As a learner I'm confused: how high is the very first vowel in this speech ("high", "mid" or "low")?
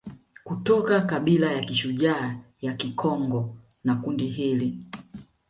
high